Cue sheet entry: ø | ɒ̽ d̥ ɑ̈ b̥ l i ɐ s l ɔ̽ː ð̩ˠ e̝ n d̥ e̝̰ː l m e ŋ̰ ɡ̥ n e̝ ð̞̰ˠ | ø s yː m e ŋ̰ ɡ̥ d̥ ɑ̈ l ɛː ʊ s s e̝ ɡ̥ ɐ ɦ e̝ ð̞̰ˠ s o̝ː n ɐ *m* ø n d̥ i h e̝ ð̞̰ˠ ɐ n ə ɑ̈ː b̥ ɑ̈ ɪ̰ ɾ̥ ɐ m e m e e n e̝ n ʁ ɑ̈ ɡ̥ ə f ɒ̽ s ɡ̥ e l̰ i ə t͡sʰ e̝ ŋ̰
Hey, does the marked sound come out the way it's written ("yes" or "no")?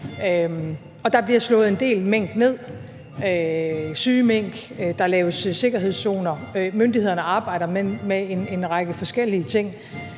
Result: yes